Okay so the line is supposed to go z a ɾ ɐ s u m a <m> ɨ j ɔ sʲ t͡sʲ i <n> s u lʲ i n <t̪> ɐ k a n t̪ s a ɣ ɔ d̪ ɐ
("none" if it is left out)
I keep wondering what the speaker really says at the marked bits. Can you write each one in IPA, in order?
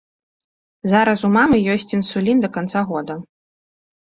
m, n, d̪

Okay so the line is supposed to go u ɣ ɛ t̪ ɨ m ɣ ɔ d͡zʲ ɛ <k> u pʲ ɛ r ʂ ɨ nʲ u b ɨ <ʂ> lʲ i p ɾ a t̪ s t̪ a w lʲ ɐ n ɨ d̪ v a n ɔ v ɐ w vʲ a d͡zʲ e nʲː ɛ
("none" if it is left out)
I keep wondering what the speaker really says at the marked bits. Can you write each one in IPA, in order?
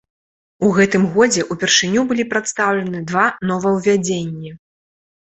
ʔ, none

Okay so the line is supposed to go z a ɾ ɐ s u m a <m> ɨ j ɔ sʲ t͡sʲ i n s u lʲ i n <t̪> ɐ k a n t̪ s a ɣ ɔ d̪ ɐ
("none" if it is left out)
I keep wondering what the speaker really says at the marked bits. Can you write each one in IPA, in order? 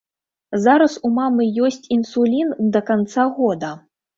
m, d̪

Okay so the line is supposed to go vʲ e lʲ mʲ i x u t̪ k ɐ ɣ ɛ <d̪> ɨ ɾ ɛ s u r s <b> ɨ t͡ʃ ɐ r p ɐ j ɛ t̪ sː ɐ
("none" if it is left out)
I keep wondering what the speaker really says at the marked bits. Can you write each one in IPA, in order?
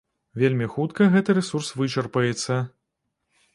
t̪, v

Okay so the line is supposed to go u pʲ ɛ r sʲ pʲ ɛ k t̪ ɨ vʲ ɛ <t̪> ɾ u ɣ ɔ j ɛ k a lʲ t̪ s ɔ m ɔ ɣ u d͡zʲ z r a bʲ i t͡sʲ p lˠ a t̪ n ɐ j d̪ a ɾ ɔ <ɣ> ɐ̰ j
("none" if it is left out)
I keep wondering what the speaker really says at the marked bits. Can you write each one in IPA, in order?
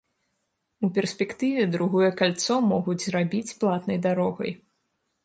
d̪, ɣ

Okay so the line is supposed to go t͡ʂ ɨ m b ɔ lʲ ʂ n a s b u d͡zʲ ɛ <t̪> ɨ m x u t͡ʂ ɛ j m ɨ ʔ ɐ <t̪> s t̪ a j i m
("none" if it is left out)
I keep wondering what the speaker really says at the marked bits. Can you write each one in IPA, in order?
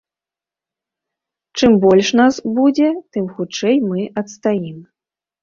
t̪, t̪

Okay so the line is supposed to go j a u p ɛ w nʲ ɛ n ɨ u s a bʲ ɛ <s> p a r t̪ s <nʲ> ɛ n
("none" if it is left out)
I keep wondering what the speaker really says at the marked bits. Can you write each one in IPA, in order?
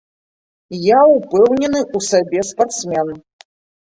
s, mʲ

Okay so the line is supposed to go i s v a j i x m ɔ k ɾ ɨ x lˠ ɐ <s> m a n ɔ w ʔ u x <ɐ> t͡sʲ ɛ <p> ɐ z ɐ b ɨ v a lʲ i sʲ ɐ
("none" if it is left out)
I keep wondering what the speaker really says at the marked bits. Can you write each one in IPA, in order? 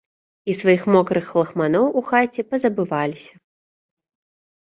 x, a, p

